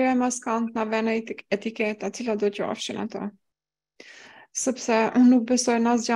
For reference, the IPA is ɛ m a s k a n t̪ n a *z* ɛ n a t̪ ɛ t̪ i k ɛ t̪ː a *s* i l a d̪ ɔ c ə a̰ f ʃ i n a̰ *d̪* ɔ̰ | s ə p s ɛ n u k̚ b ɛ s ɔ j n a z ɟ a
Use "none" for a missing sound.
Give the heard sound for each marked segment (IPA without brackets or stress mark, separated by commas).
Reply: v, t͡s, t̪